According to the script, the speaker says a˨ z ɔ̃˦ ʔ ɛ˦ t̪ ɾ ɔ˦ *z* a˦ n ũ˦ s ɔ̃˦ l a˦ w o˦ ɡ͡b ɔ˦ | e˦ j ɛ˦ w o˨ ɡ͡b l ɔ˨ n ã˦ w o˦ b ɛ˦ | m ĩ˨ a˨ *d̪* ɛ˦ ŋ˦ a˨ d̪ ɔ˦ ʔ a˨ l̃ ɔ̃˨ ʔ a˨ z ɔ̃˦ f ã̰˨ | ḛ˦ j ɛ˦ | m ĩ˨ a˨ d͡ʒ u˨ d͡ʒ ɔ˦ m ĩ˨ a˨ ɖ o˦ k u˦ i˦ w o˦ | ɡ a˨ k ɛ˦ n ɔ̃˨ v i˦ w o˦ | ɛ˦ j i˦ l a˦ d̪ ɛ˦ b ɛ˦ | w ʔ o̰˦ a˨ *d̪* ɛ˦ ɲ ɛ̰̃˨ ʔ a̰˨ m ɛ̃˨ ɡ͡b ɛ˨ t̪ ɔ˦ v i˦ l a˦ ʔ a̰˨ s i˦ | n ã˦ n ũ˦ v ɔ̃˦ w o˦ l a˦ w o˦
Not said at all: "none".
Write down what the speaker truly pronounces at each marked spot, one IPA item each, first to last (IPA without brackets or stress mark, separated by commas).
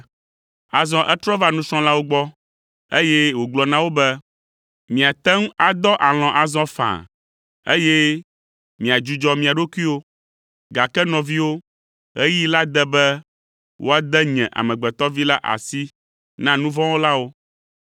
v, t̪, d̪